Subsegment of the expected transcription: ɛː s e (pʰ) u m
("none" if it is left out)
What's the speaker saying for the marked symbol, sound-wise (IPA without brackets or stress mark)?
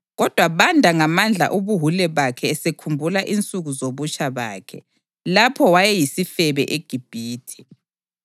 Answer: kʰ